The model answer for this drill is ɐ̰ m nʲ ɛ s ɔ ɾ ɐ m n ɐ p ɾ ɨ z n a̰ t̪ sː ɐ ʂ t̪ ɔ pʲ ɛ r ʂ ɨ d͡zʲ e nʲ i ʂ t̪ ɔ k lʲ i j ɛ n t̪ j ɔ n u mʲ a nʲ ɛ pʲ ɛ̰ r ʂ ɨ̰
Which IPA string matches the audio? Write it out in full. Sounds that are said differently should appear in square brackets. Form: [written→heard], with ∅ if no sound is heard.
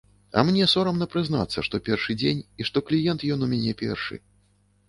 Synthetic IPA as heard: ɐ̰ m nʲ ɛ s ɔ ɾ ɐ m n ɐ p ɾ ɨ z n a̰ t̪ sː ɐ ʂ t̪ ɔ pʲ ɛ r ʂ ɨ d͡zʲ e nʲ i ʂ t̪ ɔ k lʲ i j ɛ n t̪ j ɔ n u mʲ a nʲ ɛ pʲ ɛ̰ r ʂ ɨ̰